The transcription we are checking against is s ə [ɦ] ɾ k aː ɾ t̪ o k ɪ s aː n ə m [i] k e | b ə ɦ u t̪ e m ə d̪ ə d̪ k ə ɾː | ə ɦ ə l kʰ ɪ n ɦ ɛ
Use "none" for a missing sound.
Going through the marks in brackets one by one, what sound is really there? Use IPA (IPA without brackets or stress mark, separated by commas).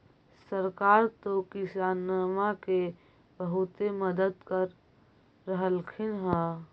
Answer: none, a